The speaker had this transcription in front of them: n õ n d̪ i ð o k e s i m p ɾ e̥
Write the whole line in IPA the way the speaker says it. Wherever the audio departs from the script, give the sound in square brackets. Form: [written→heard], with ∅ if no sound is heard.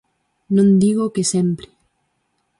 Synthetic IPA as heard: n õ n d̪ i [ð→ɣ] o k e s [i→e] m p ɾ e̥